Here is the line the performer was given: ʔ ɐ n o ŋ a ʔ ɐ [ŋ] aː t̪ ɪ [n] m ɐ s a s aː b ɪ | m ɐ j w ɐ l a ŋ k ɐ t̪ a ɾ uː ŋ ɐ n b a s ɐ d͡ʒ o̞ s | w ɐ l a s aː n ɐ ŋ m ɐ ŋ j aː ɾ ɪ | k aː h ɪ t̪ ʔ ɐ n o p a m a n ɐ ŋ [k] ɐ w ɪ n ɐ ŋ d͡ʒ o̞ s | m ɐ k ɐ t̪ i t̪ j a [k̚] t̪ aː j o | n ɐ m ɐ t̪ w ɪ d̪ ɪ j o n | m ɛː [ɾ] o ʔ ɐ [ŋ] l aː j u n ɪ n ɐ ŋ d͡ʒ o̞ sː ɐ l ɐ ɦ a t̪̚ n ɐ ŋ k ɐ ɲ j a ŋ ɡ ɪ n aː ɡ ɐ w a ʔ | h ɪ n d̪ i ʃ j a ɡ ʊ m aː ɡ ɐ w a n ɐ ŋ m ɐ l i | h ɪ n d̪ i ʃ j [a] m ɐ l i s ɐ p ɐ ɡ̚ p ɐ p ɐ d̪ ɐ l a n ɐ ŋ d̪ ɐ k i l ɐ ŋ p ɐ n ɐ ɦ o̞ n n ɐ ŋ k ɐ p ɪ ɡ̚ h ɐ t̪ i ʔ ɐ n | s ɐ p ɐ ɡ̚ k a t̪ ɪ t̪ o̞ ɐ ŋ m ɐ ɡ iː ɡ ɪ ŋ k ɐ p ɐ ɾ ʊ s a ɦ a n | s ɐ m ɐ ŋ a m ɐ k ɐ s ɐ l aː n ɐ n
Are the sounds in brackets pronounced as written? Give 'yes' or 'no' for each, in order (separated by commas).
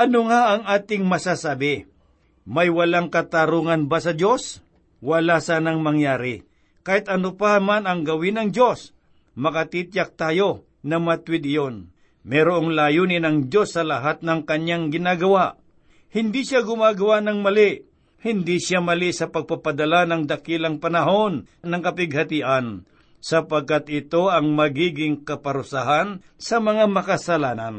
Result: yes, no, no, yes, yes, yes, yes